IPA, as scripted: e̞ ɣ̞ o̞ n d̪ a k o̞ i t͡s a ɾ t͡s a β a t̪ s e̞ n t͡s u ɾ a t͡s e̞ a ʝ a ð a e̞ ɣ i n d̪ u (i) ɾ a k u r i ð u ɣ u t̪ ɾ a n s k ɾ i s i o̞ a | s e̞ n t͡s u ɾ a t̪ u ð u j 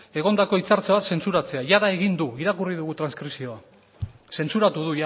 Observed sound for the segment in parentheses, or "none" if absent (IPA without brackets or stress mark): i